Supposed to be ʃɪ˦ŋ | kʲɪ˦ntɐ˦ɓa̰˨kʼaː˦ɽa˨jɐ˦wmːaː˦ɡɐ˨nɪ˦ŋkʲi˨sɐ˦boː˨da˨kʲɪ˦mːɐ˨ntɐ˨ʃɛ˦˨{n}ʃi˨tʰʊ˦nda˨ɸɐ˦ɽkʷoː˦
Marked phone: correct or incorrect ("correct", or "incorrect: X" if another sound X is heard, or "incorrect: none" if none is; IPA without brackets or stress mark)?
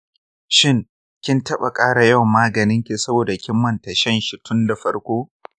correct